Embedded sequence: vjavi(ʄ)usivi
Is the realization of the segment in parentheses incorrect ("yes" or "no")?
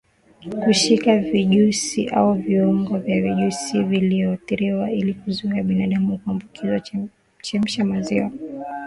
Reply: no